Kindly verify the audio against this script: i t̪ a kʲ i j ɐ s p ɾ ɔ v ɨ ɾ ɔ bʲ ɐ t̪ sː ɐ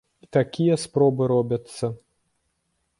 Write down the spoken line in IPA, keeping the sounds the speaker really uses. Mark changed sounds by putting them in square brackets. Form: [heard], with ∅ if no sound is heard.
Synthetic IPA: i t̪ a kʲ i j ɐ s p ɾ ɔ [b] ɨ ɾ ɔ bʲ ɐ t̪ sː ɐ